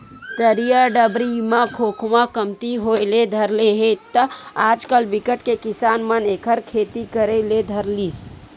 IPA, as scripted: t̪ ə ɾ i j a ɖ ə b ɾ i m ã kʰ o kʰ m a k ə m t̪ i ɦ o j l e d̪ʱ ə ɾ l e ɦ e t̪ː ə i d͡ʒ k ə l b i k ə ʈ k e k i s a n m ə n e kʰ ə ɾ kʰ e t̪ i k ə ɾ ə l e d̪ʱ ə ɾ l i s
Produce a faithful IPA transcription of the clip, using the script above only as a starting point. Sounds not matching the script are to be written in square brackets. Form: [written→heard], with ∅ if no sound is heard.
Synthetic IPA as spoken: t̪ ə ɾ i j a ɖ ə b ɾ i m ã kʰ o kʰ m a k ə m t̪ i ɦ o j l e d̪ʱ ə ɾ l e ɦ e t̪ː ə [i→a] d͡ʒ k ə l b i k ə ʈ k e k i s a n m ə n e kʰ ə ɾ kʰ e t̪ i k ə ɾ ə l e d̪ʱ ə ɾ l i s